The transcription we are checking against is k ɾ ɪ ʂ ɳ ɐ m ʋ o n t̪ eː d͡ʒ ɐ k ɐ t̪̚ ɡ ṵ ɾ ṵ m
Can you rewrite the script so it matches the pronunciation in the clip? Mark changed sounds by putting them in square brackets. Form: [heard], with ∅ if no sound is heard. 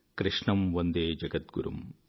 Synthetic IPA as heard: k ɾ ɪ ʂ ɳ ɐ m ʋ o n [d̪] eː d͡ʒ ɐ [ɡ] ɐ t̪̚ ɡ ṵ ɾ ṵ m